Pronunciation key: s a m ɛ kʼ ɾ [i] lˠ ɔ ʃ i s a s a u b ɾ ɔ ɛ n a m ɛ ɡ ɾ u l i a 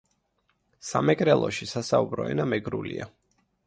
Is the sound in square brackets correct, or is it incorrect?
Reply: incorrect